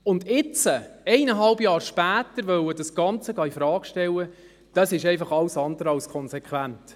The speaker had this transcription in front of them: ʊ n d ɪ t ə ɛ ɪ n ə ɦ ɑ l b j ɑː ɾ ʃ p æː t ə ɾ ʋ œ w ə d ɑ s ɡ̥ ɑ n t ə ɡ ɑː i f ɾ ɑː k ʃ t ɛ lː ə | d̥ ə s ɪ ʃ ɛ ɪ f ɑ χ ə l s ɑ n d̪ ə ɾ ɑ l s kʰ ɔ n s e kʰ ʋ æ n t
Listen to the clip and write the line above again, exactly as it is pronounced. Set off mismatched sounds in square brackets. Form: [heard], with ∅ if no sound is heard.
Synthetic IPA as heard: ʊ n d ɪ [t͡s] ə ɛ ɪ n ə ɦ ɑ l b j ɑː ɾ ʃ p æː t ə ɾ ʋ œ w ə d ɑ s ɡ̥ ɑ n [t͡s] ə ɡ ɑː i f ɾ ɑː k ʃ t ɛ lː ə | d̥ [ɑ] s ɪ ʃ ɛ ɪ f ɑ χ [ɑ] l s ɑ n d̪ ə ɾ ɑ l s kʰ ɔ n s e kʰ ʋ æ n t